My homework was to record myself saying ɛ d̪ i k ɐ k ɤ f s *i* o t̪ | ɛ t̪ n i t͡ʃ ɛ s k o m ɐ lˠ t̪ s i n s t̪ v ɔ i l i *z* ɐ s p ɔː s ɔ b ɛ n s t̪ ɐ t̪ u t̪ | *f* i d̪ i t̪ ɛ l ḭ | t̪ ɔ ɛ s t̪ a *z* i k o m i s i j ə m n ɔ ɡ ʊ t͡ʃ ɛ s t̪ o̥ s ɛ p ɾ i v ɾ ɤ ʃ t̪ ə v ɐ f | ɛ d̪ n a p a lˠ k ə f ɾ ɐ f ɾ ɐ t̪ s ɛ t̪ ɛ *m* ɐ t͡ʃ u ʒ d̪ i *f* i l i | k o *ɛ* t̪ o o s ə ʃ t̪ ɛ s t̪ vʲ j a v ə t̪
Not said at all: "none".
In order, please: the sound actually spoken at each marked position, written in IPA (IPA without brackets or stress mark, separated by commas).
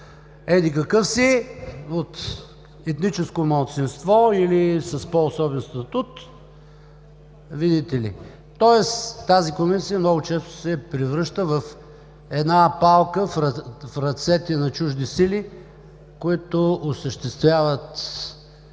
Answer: i, s, v, z, n, s, i